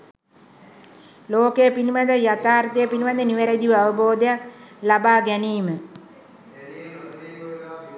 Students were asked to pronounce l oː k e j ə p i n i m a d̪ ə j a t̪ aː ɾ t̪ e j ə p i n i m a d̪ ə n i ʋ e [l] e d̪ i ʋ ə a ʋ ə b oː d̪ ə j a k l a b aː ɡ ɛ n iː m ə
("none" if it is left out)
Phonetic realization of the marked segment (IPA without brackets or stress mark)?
ɾ